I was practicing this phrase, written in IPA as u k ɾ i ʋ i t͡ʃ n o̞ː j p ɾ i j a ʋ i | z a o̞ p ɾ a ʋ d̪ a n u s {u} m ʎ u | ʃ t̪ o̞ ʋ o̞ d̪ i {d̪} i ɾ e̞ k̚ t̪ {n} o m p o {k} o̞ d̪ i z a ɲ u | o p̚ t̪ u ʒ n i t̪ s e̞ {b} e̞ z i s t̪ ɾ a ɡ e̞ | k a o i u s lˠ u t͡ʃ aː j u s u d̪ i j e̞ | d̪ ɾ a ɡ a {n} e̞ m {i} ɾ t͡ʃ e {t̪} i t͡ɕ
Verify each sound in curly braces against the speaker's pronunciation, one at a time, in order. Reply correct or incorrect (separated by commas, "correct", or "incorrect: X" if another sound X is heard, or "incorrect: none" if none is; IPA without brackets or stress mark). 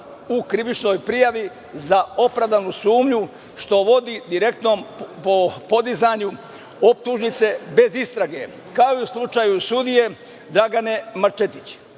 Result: incorrect: uː, correct, correct, incorrect: p, correct, correct, incorrect: a, correct